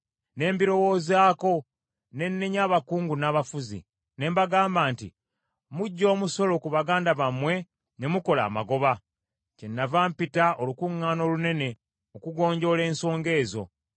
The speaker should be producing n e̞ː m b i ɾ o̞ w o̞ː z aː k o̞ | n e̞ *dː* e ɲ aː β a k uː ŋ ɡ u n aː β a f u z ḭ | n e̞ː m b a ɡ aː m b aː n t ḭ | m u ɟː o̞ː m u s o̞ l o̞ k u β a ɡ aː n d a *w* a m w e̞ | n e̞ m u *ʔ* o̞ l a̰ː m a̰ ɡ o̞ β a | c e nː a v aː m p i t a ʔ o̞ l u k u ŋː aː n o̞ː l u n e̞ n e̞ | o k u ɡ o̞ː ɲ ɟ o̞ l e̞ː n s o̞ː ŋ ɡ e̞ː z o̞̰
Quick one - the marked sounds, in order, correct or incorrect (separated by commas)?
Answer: incorrect, incorrect, incorrect